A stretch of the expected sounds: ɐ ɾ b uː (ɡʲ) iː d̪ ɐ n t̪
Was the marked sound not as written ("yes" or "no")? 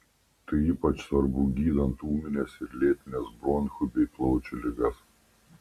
no